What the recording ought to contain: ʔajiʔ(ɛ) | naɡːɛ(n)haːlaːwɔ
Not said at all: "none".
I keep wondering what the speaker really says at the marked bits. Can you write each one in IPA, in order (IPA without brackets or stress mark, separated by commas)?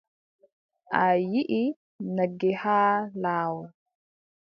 i, none